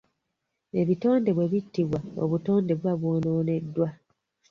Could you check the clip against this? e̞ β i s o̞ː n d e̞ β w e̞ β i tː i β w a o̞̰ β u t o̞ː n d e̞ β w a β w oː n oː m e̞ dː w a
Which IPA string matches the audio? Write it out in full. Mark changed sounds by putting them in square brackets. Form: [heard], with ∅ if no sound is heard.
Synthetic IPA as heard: e̞ β i [t] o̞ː n d e̞ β w e̞ β i tː i β w a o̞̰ β u t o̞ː n d e̞ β w a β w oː n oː [n] e̞ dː w a